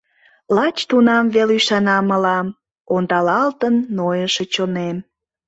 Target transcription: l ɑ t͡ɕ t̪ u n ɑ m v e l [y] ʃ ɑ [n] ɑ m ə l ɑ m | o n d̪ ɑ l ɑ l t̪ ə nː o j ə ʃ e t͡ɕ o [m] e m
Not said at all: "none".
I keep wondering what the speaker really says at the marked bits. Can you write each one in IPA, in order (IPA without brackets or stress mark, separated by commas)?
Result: y, n, n